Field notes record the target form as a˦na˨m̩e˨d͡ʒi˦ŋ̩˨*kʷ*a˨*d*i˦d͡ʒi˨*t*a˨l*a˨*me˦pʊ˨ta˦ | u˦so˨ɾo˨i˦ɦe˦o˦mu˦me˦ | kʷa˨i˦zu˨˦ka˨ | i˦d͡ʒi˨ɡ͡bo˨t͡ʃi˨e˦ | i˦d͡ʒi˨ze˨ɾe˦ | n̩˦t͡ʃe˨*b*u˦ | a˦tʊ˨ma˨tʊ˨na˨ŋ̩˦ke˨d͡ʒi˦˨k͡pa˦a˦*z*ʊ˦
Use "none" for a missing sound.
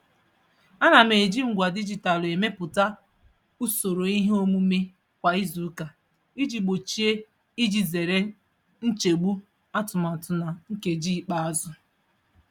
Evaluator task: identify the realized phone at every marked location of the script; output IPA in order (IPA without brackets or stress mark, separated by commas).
ɡʷ, d, t, e˨, ɡ͡b, z